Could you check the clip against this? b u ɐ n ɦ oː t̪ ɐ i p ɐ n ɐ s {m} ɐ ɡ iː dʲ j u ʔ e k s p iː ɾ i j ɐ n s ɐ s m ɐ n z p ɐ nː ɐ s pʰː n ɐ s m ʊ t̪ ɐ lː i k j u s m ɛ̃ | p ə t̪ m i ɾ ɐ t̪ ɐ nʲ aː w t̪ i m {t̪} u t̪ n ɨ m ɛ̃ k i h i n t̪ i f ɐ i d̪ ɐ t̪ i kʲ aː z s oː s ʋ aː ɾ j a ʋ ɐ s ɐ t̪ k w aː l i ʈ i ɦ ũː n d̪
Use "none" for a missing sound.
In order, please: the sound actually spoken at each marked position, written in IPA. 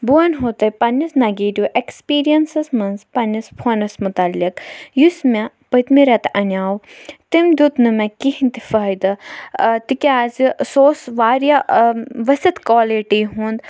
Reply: n, d̪

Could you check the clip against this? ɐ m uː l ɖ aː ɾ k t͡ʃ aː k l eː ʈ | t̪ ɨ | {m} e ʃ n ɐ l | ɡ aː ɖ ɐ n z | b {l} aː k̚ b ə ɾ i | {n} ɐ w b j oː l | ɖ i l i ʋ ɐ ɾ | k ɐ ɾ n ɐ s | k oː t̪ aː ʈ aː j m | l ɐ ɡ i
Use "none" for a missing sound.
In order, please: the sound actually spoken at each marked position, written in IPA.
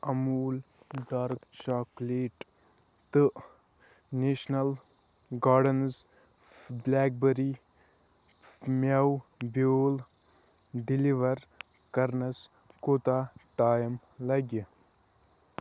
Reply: n, l, m

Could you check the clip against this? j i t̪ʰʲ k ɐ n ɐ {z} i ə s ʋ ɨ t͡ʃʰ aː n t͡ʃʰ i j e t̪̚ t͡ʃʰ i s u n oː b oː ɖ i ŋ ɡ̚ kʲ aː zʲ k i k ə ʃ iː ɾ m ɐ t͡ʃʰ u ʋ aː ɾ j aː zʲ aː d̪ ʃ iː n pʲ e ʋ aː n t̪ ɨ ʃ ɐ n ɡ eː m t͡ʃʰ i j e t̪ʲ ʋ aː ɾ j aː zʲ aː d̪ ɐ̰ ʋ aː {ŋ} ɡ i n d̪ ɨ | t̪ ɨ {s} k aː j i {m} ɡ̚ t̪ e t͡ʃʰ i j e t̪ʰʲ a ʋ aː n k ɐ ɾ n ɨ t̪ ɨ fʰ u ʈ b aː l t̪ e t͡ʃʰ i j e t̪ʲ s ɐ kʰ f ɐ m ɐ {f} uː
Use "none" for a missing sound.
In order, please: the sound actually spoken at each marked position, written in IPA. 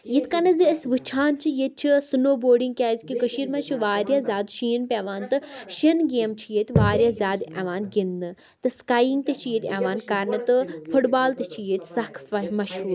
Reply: z, n, s, ŋ, ʃ

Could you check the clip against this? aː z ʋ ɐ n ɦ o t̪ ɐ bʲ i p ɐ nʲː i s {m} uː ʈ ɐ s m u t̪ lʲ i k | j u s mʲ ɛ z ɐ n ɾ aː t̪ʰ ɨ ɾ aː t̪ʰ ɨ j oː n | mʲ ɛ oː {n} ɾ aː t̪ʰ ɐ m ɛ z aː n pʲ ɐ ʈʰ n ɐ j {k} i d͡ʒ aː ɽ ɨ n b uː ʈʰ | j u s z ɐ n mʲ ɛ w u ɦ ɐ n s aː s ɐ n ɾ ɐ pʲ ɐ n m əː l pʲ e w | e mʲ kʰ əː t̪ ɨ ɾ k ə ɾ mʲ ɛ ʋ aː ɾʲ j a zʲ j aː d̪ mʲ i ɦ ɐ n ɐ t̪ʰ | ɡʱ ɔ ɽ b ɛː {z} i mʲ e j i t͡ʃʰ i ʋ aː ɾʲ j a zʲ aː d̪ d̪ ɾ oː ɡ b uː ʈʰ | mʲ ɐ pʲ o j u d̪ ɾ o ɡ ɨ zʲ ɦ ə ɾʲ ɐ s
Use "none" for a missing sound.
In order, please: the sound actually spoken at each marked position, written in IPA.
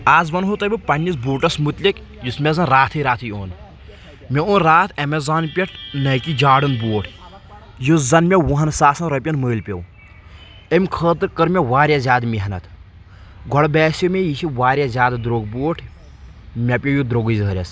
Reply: b, n, k, s

